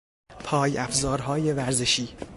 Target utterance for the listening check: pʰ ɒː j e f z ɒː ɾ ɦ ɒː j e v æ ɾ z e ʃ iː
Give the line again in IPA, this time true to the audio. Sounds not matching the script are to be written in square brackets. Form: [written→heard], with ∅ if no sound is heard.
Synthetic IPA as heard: pʰ ɒː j [e→æ] f z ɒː ɾ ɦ ɒː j e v æ ɾ z e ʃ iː